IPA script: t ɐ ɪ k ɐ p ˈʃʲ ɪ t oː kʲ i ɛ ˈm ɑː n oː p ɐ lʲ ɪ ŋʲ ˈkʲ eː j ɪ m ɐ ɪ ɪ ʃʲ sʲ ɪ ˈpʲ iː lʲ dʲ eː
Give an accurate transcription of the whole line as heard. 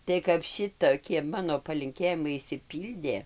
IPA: t ɐ ɪ k ɐ p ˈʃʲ ɪ t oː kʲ i ɛ ˈm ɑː n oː p ɐ lʲ ɪ ŋʲ ˈkʲ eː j ɪ m ɐ ɪ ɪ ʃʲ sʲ ɪ ˈpʲ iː lʲ dʲ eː